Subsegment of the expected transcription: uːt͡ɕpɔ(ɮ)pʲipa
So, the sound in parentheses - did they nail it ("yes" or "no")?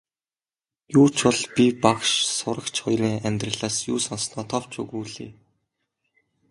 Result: yes